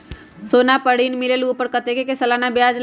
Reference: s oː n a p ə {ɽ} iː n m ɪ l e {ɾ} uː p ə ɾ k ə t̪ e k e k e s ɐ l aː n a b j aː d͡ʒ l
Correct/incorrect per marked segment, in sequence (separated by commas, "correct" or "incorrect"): correct, incorrect